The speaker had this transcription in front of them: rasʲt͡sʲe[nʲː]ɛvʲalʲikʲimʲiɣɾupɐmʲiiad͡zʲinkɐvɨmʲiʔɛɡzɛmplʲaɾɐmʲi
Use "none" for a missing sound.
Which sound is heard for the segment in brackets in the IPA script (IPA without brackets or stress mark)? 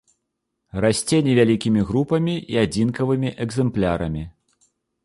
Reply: nʲ